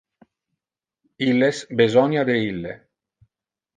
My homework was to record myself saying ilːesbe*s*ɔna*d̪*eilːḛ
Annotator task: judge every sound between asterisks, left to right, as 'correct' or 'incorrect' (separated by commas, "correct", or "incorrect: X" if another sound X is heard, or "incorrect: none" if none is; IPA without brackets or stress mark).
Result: incorrect: z, correct